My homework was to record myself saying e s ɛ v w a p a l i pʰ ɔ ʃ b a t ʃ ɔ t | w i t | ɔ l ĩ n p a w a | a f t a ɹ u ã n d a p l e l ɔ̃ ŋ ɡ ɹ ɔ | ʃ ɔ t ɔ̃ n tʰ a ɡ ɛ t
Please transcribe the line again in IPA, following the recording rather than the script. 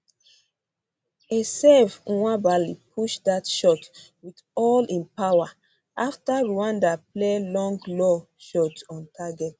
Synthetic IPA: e s ɛ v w a b a l i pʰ u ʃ d a t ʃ ɔ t | w i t | ɔ l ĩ n p a w a | a f t a ɹ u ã n d a p l e l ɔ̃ ŋ ɡ l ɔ | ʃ ɔ t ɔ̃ n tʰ a ɡ ɛ t